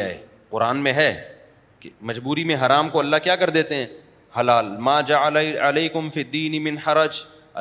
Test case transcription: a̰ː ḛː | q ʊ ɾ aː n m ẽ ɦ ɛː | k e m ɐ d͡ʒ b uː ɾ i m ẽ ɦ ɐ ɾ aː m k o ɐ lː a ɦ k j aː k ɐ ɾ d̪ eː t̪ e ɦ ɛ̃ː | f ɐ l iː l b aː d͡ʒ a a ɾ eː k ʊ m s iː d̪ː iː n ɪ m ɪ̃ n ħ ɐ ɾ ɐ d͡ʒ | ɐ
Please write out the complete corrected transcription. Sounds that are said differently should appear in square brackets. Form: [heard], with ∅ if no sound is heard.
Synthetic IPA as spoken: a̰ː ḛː | q ʊ ɾ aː n m ẽ ɦ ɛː | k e m ɐ d͡ʒ b uː ɾ i m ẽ ɦ ɐ ɾ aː m k o ɐ lː a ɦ k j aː k ɐ ɾ d̪ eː t̪ e ɦ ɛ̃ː | [h] ɐ l [aː] l [m] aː d͡ʒ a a [l] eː k ʊ m [f] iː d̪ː iː n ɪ m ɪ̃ n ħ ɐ ɾ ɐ d͡ʒ | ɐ